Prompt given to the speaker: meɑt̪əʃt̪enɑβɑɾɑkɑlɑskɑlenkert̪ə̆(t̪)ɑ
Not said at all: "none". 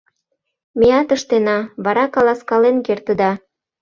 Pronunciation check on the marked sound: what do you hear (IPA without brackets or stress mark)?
d̪